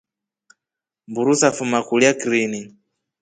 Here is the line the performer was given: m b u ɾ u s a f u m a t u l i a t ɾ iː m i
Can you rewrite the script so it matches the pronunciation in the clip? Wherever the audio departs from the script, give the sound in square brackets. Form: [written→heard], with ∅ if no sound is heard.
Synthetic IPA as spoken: m b u ɾ u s a f u m a [t→k] u l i a [t→k] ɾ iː [m→n] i